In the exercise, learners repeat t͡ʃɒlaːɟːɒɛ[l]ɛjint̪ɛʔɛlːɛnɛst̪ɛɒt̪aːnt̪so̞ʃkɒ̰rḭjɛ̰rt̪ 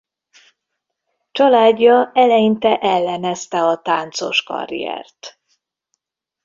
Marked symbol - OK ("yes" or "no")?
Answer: yes